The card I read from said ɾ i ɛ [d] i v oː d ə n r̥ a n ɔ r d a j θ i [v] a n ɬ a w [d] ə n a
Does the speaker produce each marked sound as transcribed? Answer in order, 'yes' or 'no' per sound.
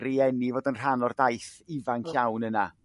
no, yes, no

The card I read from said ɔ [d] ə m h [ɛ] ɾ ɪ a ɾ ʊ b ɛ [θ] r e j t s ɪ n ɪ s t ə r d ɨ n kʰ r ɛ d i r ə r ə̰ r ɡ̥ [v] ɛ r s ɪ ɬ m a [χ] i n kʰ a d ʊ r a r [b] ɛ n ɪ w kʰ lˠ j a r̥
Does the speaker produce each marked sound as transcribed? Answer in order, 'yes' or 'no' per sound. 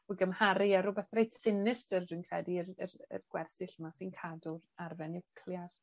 no, no, yes, no, no, no

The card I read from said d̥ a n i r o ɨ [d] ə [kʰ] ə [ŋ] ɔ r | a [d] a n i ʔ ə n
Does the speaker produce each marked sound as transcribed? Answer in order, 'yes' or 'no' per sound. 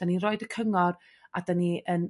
yes, yes, yes, yes

